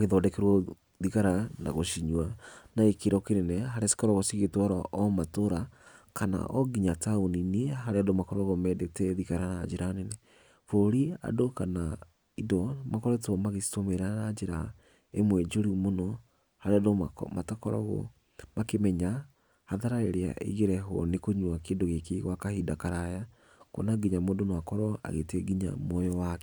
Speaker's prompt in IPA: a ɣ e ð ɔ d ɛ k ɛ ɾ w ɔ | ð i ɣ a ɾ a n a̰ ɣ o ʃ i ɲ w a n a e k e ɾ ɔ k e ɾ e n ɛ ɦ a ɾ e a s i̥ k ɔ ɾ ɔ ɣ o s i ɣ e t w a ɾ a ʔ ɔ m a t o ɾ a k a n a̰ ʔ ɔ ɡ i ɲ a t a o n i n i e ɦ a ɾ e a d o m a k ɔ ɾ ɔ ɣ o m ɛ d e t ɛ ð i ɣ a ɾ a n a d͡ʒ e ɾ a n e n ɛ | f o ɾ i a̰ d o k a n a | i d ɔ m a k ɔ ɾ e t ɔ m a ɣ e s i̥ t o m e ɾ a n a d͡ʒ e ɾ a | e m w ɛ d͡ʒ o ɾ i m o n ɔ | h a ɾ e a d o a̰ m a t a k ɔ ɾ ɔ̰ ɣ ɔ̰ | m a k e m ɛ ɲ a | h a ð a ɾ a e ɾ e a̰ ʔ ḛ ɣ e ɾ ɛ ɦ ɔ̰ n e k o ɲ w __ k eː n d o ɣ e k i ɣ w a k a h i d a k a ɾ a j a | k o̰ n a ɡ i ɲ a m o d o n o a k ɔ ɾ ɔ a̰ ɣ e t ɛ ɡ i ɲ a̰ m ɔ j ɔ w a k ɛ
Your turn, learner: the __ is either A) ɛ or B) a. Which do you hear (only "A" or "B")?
B